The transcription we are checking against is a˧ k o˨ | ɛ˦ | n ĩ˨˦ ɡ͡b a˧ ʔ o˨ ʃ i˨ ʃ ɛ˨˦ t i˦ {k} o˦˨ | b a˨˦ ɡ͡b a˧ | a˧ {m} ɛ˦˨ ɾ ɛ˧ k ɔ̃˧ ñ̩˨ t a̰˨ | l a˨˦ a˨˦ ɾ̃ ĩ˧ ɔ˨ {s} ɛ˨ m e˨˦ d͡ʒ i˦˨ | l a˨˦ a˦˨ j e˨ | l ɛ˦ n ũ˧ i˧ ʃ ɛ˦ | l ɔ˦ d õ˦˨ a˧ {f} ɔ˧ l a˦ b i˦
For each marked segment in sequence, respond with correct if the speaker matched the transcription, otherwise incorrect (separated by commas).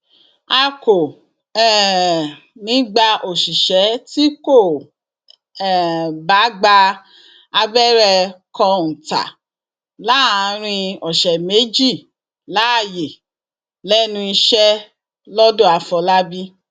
correct, incorrect, incorrect, correct